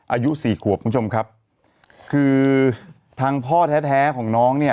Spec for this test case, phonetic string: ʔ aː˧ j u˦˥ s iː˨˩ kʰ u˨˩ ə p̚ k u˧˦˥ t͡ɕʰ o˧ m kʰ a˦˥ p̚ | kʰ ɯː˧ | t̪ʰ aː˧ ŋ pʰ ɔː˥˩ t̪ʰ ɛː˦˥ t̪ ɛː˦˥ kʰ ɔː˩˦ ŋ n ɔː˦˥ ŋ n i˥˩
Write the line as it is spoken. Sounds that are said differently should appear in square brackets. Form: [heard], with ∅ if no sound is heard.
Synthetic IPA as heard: ʔ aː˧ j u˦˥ s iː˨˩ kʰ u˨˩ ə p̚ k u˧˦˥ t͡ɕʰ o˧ m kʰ a˦˥ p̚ | kʰ ɯː˧ | t̪ʰ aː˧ ŋ pʰ ɔː˥˩ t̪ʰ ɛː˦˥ [t̪ʰ] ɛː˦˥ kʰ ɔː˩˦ ŋ n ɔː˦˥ ŋ n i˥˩